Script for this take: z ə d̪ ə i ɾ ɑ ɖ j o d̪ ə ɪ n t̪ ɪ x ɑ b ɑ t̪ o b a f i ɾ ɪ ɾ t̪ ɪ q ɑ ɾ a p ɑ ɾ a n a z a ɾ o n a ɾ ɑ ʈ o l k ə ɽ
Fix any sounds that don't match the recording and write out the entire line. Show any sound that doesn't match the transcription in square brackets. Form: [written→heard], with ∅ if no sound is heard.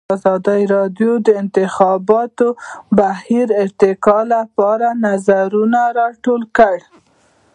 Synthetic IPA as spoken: z [ə→ɑ] d̪ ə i ɾ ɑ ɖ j o d̪ ə ɪ n t̪ ɪ x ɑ b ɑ t̪ o b a [f→h] i ɾ ɪ ɾ t̪ ɪ [q→k] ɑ [ɾ→l] a p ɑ ɾ a n a z a ɾ [o→u] n a ɾ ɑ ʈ o l k ə ɽ